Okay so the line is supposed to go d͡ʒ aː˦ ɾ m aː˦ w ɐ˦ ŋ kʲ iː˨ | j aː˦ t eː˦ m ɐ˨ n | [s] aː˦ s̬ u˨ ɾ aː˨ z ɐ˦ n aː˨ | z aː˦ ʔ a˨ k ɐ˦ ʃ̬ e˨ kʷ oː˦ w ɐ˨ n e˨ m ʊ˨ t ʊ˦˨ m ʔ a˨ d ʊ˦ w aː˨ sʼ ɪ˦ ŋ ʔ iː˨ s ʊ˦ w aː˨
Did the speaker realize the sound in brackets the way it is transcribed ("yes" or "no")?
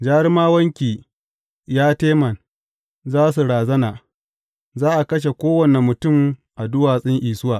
no